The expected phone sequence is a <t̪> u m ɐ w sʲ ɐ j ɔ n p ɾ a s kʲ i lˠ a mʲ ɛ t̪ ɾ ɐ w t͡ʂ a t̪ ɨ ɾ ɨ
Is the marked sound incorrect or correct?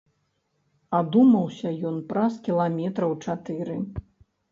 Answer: incorrect